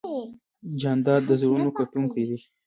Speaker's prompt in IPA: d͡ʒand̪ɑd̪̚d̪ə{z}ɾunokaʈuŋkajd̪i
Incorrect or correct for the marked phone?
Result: correct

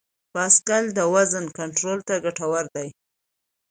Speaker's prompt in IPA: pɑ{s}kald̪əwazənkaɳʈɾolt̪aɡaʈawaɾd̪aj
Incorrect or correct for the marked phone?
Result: correct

